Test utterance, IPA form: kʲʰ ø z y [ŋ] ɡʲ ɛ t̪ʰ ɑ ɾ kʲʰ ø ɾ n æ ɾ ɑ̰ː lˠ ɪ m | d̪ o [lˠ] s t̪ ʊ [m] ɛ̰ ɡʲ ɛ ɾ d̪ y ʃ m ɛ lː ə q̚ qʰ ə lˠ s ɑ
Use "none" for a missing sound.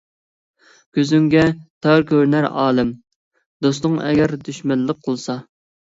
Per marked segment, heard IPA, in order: ŋ, none, ŋ

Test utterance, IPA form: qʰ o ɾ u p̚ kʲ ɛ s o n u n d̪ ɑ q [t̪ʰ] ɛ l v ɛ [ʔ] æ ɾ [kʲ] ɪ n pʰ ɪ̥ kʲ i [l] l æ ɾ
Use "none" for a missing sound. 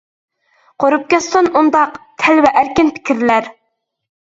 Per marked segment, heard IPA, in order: t̪ʰ, ʔ, kʲ, ɾ

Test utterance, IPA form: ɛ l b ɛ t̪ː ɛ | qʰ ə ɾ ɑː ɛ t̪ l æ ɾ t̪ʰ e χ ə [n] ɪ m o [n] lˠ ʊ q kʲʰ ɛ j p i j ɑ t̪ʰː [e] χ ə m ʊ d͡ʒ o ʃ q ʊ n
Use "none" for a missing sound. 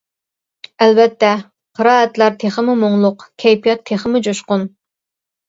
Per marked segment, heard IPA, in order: m, ŋ, e

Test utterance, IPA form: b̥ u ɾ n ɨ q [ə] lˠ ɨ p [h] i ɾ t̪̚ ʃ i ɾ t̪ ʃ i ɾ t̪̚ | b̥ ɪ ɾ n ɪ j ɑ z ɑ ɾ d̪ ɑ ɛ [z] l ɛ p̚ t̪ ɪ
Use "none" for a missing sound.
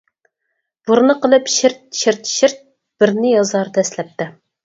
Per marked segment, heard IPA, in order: ə, ʃ, s

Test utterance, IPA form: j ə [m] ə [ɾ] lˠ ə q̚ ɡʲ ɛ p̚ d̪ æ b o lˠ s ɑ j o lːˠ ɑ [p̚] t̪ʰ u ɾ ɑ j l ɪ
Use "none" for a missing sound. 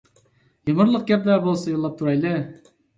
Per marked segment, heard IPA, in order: m, ɾ, p̚

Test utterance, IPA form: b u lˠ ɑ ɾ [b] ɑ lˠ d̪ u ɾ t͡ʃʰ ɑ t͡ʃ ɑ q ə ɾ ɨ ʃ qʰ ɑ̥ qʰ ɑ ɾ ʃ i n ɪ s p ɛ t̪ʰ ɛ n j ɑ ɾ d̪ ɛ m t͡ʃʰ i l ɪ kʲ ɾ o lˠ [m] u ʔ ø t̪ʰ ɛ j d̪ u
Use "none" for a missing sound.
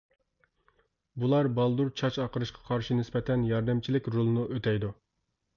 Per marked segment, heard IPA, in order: b, n

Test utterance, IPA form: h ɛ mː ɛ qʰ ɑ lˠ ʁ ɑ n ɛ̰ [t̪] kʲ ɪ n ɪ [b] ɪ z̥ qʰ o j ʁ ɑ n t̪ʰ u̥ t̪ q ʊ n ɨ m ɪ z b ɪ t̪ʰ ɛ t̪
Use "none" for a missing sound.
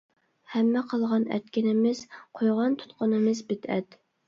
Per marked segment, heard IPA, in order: t̪, m

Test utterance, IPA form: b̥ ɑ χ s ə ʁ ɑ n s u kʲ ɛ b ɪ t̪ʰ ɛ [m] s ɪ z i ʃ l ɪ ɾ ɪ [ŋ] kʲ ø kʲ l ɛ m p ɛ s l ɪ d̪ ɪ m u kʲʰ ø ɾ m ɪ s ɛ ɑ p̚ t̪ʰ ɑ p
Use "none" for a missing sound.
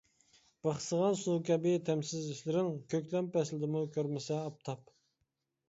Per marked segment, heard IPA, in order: m, ŋ

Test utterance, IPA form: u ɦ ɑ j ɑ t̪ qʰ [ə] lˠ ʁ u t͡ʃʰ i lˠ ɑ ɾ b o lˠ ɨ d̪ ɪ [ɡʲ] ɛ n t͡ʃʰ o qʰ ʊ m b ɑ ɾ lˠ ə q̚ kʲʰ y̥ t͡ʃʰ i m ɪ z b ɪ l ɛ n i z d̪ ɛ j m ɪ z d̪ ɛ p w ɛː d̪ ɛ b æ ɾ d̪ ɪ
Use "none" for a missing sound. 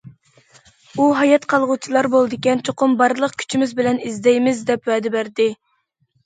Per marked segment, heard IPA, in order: ɑ, kʲ

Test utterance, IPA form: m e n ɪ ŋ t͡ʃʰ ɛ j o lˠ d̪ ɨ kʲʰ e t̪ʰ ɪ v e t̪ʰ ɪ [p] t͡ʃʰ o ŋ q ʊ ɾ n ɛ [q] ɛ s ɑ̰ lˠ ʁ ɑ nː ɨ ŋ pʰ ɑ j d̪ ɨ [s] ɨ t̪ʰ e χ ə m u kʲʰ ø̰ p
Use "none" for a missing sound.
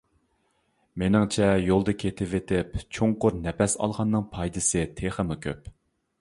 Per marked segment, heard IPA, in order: p, p, s

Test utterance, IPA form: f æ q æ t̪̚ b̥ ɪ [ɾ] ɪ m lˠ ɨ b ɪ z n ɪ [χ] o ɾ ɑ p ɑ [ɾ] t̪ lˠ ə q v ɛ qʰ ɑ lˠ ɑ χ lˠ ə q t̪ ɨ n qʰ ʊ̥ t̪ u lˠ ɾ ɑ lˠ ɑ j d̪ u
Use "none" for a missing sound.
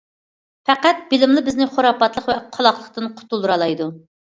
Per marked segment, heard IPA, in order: l, χ, none

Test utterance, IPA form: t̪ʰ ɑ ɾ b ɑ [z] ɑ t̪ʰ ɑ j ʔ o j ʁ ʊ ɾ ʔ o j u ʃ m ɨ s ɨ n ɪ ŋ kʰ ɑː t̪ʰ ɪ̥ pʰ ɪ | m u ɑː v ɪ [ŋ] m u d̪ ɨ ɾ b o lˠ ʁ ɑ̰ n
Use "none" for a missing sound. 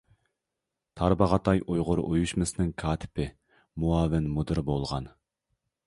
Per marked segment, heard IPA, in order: ʁ, n

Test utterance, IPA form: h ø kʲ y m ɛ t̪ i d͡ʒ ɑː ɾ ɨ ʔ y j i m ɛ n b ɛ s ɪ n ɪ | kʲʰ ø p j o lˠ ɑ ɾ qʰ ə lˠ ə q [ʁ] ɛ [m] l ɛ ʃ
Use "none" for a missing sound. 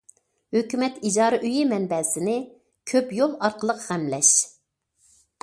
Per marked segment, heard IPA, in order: ʁ, m

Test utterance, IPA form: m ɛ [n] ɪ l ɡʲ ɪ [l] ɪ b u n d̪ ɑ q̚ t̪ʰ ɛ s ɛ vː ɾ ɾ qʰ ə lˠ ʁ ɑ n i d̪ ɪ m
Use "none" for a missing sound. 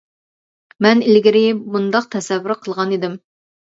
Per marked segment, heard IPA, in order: n, ɾ

